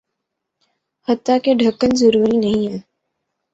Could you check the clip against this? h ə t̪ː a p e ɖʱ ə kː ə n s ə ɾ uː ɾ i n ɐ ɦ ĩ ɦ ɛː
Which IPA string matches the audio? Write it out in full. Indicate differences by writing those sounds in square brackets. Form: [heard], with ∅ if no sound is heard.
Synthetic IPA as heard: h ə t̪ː a [k] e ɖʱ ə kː ə n [z] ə ɾ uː ɾ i n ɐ ɦ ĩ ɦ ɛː